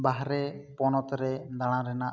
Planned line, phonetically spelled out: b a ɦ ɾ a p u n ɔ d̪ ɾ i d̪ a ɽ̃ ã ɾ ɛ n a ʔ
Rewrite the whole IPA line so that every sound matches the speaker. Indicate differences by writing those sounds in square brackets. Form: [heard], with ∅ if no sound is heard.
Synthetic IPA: b a ɦ ɾ [ɛ] p [ɔ] n ɔ [t̪] ɾ [ɛ] d̪ a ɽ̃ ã ɾ ɛ n a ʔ